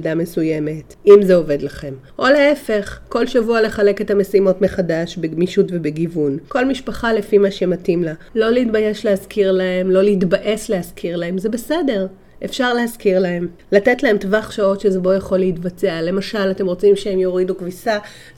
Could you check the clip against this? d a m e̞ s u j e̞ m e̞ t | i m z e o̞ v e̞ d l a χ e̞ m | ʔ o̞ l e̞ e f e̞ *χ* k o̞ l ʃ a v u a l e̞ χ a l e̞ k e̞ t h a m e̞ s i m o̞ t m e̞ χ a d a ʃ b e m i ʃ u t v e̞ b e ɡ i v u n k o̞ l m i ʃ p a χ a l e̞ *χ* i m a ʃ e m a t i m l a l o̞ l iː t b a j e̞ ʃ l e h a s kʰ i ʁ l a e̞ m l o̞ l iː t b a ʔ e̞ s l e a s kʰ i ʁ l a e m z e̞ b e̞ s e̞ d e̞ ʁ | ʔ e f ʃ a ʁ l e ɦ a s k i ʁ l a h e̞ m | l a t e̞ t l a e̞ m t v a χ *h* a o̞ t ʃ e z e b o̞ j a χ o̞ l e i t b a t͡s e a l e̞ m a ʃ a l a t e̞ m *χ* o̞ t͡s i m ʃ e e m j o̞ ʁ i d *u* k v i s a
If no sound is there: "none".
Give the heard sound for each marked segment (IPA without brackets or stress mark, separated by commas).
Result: χ, f, ʃ, ʁ, u